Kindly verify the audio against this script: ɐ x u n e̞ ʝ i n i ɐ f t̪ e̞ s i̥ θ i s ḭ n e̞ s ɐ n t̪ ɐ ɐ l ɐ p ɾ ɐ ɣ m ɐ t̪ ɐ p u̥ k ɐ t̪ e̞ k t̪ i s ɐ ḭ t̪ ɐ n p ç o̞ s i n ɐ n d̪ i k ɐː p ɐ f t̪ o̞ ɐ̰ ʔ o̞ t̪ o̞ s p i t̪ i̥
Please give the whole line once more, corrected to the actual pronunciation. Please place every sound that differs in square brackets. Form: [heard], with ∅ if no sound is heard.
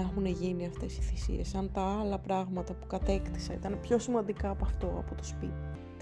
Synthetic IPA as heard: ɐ x u n e̞ ʝ i n i ɐ f t̪ e̞ s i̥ θ i s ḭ [∅] e̞ s ɐ n t̪ ɐ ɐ l ɐ p ɾ ɐ ɣ m ɐ t̪ ɐ p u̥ k ɐ t̪ e̞ k t̪ i s ɐ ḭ t̪ ɐ n p ç o̞ s i [m] ɐ n d̪ i k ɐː p ɐ f t̪ o̞ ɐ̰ [p] o̞ t̪ o̞ s p i t̪ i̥